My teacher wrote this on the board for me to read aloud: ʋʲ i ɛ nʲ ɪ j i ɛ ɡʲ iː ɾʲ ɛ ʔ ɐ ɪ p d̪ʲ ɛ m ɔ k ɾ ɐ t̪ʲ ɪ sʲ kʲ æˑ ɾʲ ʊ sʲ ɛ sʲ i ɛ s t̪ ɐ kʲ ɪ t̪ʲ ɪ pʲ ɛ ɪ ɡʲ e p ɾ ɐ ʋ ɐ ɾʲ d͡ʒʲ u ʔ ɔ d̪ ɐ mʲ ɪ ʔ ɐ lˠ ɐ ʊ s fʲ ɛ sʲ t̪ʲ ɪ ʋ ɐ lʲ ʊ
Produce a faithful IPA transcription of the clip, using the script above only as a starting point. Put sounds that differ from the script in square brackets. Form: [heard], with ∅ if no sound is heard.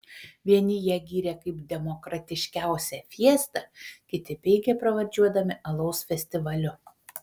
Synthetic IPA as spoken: ʋʲ i ɛ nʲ ɪ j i ɛ ɡʲ iː ɾʲ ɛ [k] ɐ ɪ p d̪ʲ ɛ m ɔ k ɾ ɐ t̪ʲ ɪ [ʃʲ] kʲ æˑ [∅] ʊ sʲ ɛ [fʲ] i ɛ s t̪ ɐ kʲ ɪ t̪ʲ ɪ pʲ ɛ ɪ ɡʲ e p ɾ ɐ ʋ ɐ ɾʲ d͡ʒʲ u [∅] ɔ d̪ ɐ mʲ ɪ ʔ ɐ lˠ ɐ ʊ s fʲ ɛ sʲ t̪ʲ ɪ ʋ ɐ lʲ ʊ